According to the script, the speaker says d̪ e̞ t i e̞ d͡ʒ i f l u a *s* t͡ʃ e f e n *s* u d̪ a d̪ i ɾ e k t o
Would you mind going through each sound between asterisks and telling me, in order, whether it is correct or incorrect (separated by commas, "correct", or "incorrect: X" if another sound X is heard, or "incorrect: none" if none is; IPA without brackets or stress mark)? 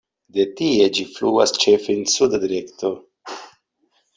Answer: correct, correct